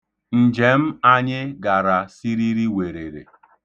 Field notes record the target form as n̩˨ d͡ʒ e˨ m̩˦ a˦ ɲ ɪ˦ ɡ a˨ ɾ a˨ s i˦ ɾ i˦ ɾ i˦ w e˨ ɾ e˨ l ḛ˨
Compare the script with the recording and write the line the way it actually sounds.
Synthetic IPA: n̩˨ d͡ʒ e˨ m̩˦ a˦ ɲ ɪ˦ ɡ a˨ ɾ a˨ s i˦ ɾ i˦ ɾ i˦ w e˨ ɾ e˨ ɾ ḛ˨